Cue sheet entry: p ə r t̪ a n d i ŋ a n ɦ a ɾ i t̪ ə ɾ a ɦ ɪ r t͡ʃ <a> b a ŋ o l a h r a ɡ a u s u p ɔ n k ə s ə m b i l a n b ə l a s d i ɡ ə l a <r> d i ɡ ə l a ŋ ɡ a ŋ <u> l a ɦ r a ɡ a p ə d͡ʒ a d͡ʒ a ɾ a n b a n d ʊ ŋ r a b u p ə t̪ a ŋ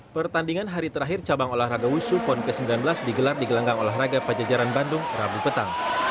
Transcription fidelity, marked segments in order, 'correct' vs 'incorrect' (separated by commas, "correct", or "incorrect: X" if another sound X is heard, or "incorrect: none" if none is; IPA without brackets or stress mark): correct, correct, incorrect: o